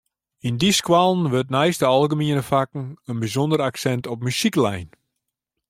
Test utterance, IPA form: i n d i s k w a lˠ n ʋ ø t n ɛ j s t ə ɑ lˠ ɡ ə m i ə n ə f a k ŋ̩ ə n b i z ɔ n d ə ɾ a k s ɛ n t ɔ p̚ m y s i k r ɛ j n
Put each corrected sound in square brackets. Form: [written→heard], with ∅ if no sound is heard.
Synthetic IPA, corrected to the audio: i n d i s k w a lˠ n ʋ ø t n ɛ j s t ə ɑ lˠ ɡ ə m i ə n ə f a k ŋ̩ ə n b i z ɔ n d ə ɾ a k s ɛ n t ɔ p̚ m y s i k [r→l] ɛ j n